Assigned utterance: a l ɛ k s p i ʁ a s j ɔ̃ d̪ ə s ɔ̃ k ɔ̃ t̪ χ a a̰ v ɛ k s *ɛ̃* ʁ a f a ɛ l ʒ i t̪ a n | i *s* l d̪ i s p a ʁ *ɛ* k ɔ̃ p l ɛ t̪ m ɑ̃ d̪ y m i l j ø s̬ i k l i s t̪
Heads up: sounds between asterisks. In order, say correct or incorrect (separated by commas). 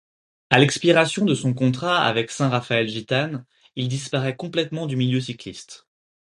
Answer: correct, incorrect, correct